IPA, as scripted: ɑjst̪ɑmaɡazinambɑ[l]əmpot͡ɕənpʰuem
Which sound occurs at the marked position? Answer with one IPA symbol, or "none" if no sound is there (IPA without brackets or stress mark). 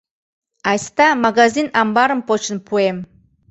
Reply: ɾ